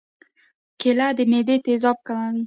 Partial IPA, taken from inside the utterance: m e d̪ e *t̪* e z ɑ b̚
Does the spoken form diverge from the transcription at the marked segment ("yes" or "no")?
no